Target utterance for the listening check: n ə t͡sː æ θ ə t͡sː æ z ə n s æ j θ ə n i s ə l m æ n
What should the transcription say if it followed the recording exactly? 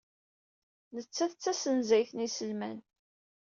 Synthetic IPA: n ə t͡sː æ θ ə t͡sː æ s ə n z æ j θ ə n i s ə l m æ n